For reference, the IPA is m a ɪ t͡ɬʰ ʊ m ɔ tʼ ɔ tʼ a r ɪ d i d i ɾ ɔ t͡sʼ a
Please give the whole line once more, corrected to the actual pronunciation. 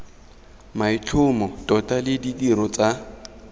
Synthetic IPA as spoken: m a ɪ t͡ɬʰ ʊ m ɔ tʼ ɔ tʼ a l ɪ d i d i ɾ ɔ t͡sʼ a